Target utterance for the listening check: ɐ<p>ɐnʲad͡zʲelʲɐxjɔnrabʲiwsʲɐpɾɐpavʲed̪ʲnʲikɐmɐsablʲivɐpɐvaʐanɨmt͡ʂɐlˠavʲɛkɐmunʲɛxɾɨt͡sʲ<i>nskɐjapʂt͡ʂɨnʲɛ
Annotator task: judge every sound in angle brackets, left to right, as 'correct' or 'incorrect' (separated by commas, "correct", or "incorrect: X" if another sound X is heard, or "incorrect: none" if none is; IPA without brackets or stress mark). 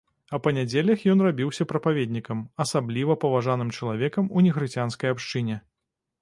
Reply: correct, incorrect: a